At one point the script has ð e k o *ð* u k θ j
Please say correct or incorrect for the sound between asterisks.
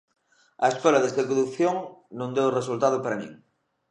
correct